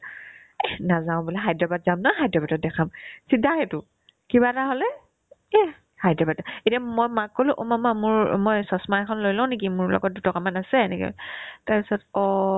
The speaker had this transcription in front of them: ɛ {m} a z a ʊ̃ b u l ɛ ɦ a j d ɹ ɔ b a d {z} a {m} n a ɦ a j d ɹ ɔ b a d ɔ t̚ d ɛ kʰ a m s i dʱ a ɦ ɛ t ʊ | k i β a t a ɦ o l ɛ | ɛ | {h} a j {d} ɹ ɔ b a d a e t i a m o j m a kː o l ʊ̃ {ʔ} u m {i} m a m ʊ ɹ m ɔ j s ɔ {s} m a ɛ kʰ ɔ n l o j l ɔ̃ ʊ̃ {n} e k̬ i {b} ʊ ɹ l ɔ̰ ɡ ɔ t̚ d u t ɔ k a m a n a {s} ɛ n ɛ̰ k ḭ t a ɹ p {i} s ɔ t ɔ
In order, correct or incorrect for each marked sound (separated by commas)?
incorrect, correct, correct, correct, correct, correct, incorrect, correct, correct, incorrect, correct, correct